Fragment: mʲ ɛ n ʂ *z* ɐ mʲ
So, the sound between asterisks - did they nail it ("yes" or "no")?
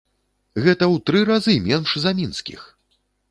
yes